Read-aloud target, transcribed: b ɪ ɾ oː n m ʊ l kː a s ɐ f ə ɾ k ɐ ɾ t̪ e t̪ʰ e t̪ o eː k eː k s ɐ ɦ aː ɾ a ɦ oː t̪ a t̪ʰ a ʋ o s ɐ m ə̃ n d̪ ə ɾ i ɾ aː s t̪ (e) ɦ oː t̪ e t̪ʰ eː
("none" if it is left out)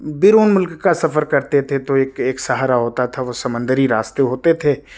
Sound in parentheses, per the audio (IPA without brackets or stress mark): e